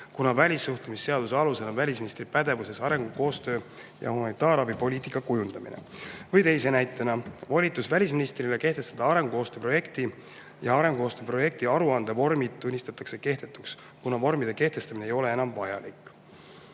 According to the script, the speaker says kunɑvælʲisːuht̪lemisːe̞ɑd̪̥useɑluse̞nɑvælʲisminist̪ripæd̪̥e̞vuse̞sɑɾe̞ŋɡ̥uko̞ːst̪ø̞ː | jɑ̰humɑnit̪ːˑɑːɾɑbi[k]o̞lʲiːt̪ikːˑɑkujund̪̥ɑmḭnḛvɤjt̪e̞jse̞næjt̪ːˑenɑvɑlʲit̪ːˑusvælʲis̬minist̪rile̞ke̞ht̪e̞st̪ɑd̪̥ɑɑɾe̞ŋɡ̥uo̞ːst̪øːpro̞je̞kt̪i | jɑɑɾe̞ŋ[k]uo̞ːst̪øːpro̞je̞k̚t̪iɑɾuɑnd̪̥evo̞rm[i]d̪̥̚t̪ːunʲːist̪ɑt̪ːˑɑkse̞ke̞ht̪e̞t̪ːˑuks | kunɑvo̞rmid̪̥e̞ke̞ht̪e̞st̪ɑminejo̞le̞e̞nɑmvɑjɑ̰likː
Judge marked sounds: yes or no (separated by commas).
no, no, yes